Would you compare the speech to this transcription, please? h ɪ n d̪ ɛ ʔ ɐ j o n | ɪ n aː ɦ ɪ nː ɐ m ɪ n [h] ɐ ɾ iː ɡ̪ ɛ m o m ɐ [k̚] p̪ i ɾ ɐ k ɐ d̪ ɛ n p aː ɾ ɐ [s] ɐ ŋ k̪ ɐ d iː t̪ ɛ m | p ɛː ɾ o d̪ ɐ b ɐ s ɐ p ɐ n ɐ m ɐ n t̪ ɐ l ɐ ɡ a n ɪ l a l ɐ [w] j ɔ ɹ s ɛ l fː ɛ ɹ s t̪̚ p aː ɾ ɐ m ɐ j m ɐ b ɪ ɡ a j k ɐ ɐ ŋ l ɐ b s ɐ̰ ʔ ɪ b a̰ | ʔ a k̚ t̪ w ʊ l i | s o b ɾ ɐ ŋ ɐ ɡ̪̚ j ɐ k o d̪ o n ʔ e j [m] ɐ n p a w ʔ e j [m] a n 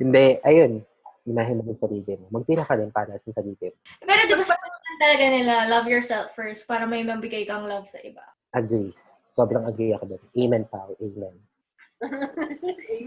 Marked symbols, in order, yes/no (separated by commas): no, no, yes, no, yes, yes